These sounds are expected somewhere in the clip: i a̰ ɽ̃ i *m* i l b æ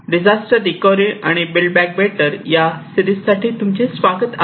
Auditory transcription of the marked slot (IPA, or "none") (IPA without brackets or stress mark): b